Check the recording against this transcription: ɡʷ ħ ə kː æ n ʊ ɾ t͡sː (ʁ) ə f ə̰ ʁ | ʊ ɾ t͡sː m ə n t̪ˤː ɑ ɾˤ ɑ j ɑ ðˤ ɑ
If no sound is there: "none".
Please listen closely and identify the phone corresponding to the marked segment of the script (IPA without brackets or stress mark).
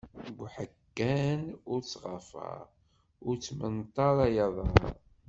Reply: ʁ